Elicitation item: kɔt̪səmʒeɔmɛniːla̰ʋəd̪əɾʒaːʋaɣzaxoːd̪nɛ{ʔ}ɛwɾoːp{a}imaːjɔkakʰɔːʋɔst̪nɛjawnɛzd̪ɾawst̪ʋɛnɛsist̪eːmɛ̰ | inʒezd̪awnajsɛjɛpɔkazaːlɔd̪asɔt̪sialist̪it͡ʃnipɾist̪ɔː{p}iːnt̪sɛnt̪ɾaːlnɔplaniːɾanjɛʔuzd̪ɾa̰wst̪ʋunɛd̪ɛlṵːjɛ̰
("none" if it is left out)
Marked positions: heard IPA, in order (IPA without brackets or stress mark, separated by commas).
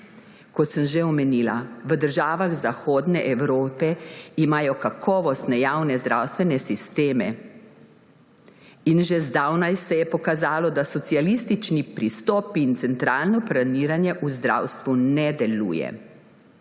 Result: ʔ, ɛ, p